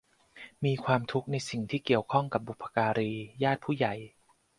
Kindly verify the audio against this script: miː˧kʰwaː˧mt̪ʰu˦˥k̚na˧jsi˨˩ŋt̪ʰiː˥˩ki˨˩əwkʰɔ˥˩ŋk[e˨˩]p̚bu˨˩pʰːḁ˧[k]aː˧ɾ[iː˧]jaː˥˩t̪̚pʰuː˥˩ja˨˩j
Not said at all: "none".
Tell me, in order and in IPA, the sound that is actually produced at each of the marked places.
a˨˩, k, iː˧

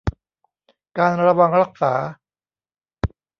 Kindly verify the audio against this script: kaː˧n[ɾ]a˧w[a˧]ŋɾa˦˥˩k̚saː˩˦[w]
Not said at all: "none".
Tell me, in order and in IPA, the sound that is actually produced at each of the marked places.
ɾ, a˧, none

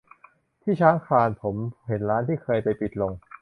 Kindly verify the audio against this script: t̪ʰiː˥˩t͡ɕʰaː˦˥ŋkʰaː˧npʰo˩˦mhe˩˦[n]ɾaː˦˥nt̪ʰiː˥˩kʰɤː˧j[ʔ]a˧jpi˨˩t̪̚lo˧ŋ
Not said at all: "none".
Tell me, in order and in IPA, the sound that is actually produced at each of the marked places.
n, p

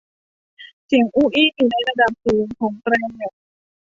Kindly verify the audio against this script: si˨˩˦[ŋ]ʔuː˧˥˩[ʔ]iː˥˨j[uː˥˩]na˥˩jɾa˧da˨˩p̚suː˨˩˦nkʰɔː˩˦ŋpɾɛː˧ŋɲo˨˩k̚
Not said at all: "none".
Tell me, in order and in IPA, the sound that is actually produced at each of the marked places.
ŋ, ʔ, uː˨˩

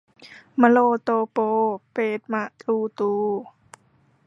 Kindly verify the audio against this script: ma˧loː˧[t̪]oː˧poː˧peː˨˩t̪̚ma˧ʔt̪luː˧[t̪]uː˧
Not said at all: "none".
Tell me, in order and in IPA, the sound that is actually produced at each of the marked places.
t̪, t̪

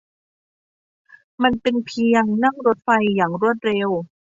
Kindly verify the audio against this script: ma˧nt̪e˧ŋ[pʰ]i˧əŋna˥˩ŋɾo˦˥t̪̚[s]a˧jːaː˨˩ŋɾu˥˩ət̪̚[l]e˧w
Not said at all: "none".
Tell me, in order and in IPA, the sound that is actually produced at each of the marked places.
pʰ, f, ɾ

